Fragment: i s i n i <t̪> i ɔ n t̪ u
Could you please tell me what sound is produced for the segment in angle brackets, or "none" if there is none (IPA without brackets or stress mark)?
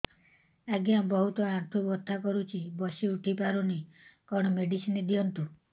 d̪